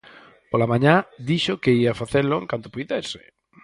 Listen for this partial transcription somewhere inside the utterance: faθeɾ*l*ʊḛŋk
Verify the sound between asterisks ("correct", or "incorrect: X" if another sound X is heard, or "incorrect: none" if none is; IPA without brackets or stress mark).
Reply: correct